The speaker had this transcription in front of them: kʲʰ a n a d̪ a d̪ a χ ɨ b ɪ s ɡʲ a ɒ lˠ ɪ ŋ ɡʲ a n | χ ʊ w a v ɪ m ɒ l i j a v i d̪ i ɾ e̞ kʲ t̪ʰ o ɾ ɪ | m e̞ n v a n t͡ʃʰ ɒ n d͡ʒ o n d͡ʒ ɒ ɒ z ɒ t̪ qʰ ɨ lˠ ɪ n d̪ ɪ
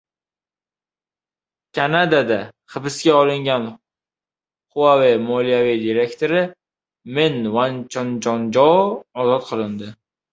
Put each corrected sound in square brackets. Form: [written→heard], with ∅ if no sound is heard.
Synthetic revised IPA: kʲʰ a n a d̪ a d̪ a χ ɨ b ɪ s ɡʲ a ɒ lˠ ɪ ŋ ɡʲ a n | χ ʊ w a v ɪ m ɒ l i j a v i d̪ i ɾ e̞ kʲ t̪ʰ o ɾ ɪ | m e̞ n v a n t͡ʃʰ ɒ n d͡ʒ [o→ɒ] n d͡ʒ ɒ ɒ z ɒ t̪ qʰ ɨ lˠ ɪ n d̪ ɪ